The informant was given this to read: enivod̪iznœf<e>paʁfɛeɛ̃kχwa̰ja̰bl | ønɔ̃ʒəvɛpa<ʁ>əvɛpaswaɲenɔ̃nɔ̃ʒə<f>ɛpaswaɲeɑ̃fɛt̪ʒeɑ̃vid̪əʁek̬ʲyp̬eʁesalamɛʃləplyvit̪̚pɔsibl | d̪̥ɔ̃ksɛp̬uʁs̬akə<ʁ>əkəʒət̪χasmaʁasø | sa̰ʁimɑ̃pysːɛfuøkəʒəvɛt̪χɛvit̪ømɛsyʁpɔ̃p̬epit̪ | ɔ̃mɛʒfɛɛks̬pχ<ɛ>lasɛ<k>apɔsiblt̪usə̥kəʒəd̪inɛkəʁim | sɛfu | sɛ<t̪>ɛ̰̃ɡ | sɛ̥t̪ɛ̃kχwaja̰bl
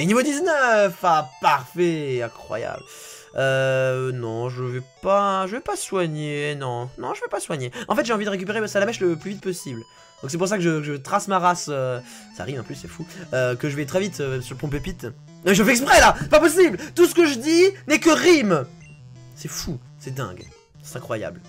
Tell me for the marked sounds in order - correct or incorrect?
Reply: incorrect, incorrect, incorrect, incorrect, correct, incorrect, incorrect

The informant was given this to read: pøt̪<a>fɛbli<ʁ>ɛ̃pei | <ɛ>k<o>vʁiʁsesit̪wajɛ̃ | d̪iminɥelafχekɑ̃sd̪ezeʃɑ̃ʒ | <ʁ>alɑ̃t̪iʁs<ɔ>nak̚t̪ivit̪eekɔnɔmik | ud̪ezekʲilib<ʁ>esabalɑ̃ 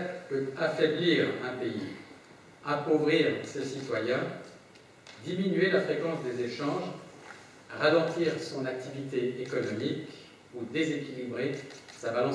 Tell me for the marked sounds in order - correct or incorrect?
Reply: correct, correct, incorrect, correct, correct, incorrect, correct

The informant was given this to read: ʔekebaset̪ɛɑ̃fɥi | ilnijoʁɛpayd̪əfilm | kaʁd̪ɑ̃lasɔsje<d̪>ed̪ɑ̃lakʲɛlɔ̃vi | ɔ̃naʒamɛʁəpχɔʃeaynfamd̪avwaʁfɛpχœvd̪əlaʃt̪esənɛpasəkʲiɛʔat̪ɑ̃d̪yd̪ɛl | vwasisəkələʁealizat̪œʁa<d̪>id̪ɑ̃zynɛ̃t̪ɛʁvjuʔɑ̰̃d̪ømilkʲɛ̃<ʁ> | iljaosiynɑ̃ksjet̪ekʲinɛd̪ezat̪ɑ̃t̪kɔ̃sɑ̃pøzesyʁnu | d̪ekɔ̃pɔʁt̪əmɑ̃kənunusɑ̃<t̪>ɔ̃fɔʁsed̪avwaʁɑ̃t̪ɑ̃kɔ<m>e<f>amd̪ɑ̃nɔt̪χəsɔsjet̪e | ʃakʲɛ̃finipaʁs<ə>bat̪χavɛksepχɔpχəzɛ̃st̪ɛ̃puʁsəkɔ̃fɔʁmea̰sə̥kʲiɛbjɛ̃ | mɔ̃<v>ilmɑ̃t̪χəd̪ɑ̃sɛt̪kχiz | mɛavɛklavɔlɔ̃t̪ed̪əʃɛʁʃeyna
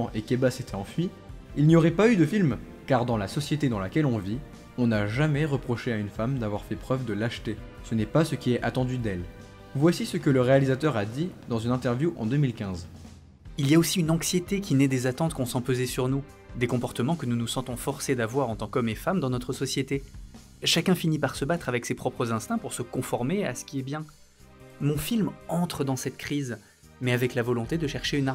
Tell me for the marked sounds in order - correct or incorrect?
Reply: incorrect, correct, incorrect, correct, correct, correct, correct, incorrect

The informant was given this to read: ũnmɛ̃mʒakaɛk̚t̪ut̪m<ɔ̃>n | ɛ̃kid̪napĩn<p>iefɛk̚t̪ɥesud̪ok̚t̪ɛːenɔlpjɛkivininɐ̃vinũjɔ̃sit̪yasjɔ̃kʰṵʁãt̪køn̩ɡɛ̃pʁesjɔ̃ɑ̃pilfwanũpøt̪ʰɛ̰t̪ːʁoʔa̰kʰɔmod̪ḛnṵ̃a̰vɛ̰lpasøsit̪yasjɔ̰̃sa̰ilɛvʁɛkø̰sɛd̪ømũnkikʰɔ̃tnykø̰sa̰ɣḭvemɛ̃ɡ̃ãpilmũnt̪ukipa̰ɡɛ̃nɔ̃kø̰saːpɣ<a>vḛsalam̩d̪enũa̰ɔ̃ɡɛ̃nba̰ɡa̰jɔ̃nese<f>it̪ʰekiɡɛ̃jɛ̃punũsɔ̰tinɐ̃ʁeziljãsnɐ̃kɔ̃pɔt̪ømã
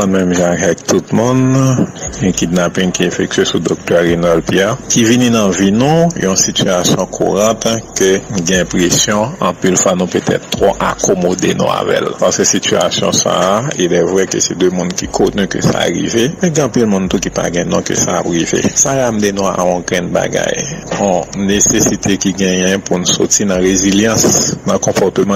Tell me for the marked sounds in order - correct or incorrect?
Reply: incorrect, incorrect, incorrect, incorrect

